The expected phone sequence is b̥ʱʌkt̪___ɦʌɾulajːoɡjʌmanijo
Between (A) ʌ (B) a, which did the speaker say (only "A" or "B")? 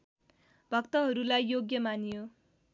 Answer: A